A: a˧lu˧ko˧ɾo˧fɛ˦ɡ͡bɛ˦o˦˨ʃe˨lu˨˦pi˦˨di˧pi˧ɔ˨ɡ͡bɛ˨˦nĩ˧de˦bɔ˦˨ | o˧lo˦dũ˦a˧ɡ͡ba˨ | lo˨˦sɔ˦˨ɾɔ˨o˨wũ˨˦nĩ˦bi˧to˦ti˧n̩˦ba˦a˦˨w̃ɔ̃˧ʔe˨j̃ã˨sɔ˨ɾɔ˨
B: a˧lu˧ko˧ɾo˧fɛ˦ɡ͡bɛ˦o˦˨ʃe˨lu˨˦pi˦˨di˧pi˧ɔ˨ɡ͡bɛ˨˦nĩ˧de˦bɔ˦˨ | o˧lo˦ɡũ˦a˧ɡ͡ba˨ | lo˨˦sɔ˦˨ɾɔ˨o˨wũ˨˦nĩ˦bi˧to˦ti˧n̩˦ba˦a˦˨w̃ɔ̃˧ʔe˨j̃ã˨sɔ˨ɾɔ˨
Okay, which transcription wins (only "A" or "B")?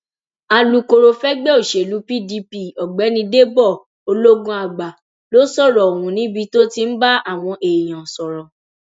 B